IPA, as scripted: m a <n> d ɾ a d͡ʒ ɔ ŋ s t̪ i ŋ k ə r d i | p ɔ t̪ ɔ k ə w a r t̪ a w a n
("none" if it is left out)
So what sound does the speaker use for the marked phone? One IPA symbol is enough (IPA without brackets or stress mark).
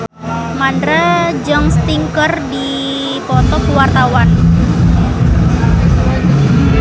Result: n